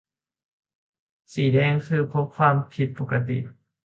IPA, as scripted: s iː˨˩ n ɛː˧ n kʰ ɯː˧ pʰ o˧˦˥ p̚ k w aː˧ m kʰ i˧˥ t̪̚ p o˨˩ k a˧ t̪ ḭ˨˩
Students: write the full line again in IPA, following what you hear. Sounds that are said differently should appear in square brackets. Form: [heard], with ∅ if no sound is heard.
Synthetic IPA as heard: s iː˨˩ [d] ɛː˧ [ŋ] kʰ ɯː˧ pʰ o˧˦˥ p̚ [kʰ] w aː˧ m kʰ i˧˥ t̪̚ p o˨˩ k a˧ t̪ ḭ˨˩